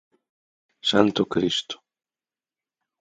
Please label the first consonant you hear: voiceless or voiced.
voiceless